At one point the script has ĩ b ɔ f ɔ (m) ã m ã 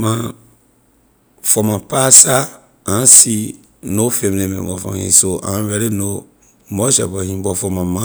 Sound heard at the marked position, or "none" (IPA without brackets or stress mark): m